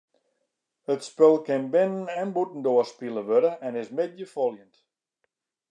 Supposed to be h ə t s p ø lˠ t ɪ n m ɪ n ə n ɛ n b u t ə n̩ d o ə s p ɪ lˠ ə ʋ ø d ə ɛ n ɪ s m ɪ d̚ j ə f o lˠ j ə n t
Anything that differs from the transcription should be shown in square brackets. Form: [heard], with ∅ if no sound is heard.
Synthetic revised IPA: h ə t s p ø lˠ [k] ɪ n [b] ɪ n ə n ɛ n b u t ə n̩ d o ə s p [i] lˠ ə ʋ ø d ə ɛ n ɪ s m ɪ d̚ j ə f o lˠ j ə n t